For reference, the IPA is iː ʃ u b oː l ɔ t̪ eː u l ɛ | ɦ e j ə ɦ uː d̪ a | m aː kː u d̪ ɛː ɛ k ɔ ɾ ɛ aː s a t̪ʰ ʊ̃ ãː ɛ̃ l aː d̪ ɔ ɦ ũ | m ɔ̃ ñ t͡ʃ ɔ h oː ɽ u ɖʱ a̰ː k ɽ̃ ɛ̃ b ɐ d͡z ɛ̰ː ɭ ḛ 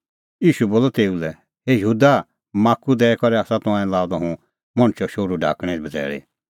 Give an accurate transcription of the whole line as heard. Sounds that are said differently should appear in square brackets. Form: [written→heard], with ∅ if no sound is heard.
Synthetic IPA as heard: iː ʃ u b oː l ɔ t̪ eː u l ɛ | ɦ e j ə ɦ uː d̪ a | m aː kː u d̪ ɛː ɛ k ɔ ɾ ɛ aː s a [t̪ʰ→t̪] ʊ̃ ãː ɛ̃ l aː d̪ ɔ ɦ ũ | m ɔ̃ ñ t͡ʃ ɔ [h→ʃ] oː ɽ u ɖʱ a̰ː k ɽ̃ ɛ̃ b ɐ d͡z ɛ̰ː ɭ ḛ